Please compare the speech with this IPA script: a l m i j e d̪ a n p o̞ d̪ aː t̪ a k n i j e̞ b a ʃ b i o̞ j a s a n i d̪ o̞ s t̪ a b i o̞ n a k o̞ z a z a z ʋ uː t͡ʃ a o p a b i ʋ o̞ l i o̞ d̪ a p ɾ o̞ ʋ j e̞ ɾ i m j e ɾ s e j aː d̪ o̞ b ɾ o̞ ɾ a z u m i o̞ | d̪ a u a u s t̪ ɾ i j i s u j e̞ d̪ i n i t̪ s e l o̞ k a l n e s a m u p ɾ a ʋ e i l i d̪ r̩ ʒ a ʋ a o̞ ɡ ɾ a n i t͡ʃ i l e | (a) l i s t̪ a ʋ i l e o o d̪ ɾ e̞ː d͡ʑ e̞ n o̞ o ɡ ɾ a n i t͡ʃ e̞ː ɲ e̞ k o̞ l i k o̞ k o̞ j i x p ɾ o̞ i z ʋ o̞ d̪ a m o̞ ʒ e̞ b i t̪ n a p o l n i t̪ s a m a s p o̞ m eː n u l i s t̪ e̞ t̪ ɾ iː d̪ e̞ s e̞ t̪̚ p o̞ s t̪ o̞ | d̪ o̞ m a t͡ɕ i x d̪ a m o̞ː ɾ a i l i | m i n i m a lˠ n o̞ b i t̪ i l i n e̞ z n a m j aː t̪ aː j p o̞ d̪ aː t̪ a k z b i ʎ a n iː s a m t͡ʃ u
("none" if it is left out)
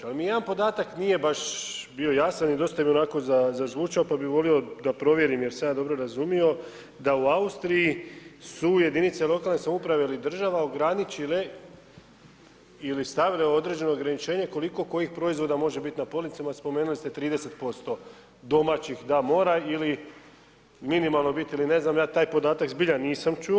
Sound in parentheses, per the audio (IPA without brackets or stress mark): i